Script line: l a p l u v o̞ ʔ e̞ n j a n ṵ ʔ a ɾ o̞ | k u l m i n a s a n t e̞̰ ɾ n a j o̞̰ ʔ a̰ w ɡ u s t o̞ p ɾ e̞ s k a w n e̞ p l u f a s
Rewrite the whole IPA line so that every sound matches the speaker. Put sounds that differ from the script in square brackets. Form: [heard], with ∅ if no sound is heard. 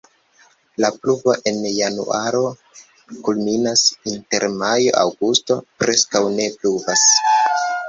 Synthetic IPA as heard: l a p l u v o̞ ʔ e̞ n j a n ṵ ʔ a ɾ o̞ | k u l m i n a s [i] n t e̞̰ ɾ [m] a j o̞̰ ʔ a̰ w ɡ u s t o̞ p ɾ e̞ s k a w n e̞ p l u [v] a s